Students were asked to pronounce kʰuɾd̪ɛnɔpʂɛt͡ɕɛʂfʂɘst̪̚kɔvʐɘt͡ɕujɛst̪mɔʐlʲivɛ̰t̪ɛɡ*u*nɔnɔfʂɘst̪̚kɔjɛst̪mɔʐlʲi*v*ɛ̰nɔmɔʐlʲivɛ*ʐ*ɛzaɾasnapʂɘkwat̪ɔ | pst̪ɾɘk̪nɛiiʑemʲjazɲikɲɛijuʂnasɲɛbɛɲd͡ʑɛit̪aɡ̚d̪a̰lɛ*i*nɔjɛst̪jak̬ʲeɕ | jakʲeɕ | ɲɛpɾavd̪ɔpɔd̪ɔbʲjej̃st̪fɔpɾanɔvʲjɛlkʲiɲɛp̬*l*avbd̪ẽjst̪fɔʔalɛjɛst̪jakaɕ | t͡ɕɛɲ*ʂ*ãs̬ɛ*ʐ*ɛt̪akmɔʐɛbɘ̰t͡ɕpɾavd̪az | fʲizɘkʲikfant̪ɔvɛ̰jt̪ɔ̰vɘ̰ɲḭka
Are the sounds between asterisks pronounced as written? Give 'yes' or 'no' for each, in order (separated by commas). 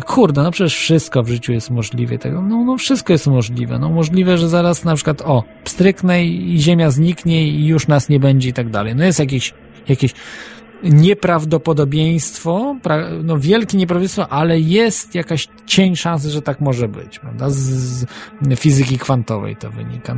no, yes, yes, no, no, yes, yes